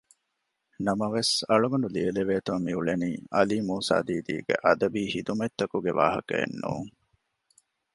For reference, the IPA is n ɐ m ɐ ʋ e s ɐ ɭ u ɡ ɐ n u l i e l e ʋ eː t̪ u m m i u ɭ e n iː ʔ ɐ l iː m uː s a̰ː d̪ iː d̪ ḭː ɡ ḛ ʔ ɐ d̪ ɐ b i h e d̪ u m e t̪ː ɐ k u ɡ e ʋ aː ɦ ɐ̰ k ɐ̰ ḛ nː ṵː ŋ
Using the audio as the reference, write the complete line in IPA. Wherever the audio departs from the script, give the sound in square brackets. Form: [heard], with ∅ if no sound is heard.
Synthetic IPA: n ɐ m ɐ ʋ e s ɐ ɭ u ɡ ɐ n u l i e l e ʋ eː t̪ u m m i u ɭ e n iː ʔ ɐ l iː m uː s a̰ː d̪ iː d̪ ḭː ɡ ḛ ʔ ɐ d̪ ɐ b [iː] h [i] d̪ u m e t̪ː ɐ k u ɡ e ʋ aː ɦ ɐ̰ k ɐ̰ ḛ nː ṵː ŋ